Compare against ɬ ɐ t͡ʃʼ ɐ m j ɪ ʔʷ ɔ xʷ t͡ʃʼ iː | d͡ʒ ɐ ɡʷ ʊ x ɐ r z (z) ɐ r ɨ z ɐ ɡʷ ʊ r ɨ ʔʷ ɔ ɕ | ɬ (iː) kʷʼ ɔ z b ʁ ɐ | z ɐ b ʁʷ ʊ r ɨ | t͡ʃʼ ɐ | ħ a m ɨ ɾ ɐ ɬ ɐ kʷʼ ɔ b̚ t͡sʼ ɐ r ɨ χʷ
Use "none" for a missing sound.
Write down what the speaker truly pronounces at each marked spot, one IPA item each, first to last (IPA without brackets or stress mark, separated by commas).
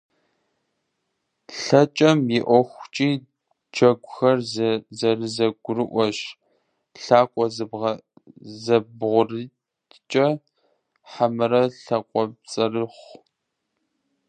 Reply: z, aː